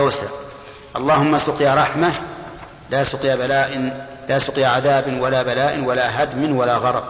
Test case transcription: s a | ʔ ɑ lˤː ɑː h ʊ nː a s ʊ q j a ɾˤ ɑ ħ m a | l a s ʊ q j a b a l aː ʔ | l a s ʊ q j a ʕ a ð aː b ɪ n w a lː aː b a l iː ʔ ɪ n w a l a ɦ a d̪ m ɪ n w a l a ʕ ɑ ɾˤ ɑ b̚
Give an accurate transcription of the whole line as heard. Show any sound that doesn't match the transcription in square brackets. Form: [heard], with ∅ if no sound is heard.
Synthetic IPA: s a | ʔ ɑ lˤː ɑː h ʊ [mː] a s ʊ q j a ɾˤ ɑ ħ m a | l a s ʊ q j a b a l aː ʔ | l a s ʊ q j a ʕ a ð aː b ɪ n w a [l] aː b a l [aː] ʔ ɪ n w a l a ɦ a d̪ m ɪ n w a l a [ɣ] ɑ ɾˤ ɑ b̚